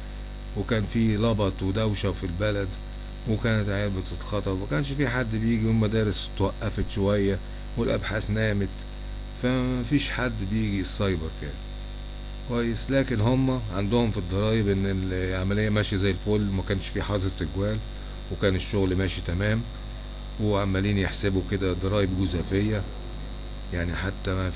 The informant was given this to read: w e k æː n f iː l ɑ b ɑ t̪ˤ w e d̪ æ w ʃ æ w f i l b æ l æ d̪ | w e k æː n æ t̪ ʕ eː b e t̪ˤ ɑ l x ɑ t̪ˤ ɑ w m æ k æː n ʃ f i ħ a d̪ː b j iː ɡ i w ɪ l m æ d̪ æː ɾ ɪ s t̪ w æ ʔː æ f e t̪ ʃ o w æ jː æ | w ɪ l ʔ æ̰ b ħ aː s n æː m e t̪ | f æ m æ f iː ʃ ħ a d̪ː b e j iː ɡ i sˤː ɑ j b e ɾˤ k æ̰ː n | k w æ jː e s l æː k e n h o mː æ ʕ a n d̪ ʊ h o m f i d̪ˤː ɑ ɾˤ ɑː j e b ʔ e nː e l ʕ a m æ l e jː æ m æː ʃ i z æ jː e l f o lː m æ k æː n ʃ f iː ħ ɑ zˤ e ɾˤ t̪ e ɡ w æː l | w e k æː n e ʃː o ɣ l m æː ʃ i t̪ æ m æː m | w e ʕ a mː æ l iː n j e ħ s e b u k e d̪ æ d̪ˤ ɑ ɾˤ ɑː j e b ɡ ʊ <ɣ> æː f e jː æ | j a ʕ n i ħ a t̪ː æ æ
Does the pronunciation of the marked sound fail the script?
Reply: yes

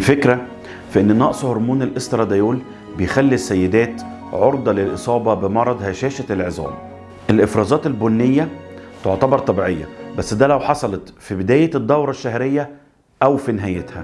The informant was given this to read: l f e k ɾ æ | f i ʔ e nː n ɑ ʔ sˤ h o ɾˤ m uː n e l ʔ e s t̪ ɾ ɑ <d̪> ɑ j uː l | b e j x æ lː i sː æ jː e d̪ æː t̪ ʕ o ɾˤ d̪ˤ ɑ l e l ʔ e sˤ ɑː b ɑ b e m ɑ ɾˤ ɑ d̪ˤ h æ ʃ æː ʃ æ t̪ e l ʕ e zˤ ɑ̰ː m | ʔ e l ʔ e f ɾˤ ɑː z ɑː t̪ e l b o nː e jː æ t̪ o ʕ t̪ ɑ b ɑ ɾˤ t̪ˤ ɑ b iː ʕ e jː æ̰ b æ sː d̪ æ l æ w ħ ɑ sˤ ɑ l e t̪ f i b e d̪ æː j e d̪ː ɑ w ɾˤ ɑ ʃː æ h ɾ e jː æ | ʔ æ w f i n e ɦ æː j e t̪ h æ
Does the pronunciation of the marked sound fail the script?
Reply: no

